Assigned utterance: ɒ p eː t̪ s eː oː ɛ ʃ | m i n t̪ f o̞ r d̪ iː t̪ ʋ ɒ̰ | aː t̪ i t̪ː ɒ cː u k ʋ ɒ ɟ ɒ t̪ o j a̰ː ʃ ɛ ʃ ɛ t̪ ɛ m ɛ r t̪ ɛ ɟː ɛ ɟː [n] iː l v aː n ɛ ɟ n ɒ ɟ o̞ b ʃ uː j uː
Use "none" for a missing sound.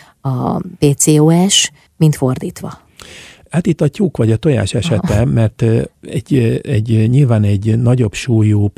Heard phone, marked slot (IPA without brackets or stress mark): ɲ